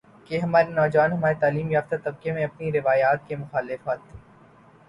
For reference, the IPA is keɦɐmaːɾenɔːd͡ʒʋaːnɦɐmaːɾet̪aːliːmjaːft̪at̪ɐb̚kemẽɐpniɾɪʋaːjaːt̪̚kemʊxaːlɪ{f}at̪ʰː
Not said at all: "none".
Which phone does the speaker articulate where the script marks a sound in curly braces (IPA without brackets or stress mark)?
f